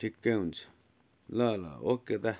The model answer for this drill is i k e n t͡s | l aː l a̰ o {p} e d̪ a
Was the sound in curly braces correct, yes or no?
no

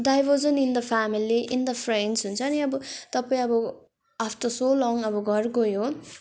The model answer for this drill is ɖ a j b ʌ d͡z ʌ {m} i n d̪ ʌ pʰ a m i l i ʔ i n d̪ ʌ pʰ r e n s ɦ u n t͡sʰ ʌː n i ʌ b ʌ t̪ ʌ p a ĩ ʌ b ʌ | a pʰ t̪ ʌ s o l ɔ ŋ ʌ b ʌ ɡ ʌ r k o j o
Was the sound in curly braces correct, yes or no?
no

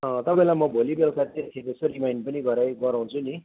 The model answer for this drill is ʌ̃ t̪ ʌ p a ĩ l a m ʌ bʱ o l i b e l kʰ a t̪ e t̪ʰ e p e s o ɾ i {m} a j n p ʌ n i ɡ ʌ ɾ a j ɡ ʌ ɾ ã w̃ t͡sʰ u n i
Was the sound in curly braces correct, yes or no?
yes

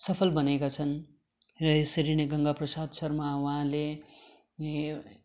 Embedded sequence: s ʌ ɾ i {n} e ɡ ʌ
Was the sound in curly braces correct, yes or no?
yes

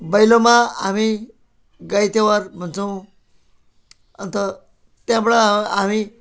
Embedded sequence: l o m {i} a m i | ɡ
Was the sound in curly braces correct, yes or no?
no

